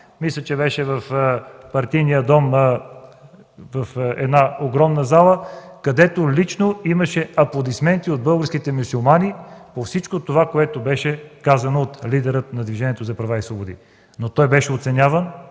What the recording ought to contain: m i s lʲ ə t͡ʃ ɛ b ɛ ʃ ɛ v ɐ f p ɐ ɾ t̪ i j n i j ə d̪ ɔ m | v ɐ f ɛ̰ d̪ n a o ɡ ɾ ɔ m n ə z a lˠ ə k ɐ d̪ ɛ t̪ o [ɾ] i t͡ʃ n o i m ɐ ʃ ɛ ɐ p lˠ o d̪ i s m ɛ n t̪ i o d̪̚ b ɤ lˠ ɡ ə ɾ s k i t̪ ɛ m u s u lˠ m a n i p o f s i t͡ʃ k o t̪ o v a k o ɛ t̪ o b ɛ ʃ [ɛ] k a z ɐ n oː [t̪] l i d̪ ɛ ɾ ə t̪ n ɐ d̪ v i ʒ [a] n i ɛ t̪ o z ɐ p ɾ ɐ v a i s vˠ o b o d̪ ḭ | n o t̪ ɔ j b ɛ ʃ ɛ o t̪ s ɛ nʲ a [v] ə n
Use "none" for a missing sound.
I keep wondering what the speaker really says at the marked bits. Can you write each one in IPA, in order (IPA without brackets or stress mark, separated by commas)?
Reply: l, ɛ, t̪, ɛ, v